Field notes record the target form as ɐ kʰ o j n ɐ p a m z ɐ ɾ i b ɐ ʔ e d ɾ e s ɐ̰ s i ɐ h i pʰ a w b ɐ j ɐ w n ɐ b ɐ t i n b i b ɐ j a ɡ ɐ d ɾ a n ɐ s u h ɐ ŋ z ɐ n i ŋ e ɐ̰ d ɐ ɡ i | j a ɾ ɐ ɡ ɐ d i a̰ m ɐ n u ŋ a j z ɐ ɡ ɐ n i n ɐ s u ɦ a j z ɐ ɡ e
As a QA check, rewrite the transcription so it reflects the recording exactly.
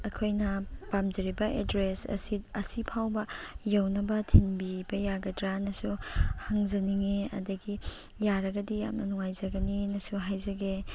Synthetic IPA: ɐ kʰ o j n ɐ p a m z ɐ ɾ i b ɐ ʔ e d ɾ e s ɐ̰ s i ɐ s i pʰ a w b ɐ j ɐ w n ɐ b ɐ tʰ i n b i b ɐ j a ɡ ɐ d ɾ a n ɐ s u h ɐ ŋ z ɐ n i ŋ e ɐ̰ d ɐ ɡ i | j a ɾ ɐ ɡ ɐ d i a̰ m ɐ n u ŋ a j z ɐ ɡ ɐ n i n ɐ s u ɦ a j z ɐ ɡ e